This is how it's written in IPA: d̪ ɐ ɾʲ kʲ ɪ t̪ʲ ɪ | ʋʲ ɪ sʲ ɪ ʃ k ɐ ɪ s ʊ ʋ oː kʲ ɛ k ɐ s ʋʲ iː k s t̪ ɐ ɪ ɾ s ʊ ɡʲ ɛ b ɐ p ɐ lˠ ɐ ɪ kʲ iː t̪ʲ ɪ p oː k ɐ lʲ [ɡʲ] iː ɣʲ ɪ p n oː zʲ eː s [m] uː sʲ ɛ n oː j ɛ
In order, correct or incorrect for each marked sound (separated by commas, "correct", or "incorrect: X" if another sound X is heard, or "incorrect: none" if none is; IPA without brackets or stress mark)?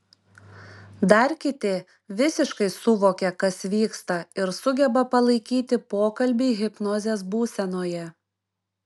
incorrect: bʲ, incorrect: b